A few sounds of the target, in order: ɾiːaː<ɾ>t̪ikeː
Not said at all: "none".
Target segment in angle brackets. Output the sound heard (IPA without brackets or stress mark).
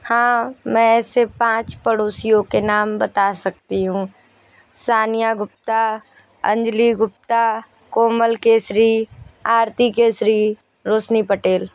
ɾ